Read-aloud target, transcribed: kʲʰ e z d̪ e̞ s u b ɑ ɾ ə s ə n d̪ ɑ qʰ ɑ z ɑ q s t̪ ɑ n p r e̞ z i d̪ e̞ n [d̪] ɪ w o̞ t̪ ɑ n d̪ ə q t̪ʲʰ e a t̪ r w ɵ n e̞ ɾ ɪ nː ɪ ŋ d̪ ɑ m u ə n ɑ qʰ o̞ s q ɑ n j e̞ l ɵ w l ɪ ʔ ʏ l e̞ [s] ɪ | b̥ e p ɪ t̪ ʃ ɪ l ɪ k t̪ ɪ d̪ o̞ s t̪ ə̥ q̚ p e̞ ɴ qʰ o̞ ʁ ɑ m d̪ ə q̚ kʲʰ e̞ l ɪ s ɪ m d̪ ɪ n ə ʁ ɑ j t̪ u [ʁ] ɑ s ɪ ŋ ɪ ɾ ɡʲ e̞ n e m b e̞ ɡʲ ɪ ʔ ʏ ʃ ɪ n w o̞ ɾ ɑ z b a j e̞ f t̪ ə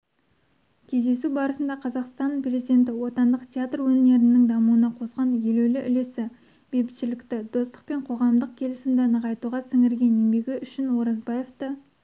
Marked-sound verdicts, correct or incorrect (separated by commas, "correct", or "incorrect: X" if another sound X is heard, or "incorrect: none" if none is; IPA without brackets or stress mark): incorrect: t̪, correct, correct